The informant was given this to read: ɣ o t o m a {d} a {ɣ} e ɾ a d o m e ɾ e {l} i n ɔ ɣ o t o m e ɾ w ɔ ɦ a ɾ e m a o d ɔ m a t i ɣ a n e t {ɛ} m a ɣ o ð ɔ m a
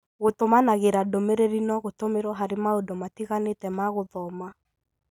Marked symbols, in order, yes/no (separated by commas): no, yes, no, yes